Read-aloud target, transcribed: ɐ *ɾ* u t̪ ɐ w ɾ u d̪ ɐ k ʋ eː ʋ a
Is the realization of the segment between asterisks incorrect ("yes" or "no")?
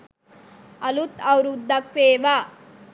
yes